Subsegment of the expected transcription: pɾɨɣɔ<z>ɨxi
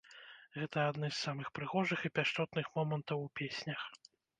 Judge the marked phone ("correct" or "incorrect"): incorrect